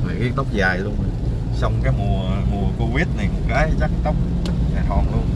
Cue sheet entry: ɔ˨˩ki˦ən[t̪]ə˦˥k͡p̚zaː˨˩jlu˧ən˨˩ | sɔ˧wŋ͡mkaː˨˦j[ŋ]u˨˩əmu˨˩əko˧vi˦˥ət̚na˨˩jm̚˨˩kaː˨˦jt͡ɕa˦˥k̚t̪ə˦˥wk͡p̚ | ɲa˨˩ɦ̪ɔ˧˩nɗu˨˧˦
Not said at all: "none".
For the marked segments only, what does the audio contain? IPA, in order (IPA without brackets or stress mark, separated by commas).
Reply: t̪, m